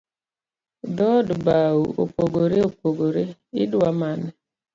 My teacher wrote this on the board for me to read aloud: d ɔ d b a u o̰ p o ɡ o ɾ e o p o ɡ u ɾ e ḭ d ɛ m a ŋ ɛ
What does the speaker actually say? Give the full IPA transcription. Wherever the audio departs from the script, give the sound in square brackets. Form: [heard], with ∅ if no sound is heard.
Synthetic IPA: d ɔ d b a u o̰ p o ɡ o ɾ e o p o ɡ [o] ɾ e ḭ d [a] m a [n] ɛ